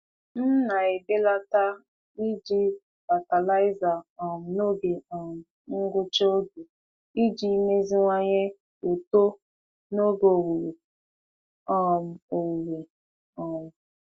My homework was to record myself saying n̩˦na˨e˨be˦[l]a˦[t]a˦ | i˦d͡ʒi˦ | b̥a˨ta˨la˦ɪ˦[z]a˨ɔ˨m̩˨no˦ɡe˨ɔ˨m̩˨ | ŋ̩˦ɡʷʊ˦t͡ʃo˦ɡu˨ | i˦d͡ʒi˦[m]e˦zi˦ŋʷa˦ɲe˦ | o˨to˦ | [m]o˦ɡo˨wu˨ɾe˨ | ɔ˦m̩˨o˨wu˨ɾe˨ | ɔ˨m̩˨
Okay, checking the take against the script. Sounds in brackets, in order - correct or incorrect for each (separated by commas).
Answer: correct, correct, correct, correct, incorrect